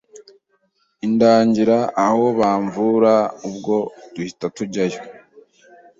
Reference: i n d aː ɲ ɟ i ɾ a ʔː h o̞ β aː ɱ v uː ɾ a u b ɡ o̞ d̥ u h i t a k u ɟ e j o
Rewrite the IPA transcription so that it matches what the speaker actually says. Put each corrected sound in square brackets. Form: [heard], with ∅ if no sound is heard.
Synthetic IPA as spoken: i n d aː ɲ ɟ i ɾ a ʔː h o̞ β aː ɱ v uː ɾ a u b ɡ o̞ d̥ u h i t a [t] u ɟ [a] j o